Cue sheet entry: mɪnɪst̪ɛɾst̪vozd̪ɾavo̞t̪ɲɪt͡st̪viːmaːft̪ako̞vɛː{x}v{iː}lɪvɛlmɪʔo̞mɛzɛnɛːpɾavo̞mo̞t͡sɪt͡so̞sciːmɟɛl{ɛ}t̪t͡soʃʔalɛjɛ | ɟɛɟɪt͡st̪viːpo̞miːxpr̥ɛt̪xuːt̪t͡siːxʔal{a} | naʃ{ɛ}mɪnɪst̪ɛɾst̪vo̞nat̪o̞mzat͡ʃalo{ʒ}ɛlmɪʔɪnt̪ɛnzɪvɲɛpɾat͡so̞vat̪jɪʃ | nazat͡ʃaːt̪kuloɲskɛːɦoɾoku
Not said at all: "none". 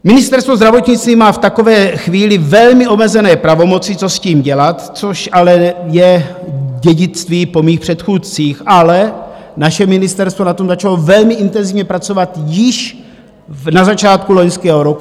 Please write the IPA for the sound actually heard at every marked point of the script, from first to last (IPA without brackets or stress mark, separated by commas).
x, iː, a, ɛ, ɛ, v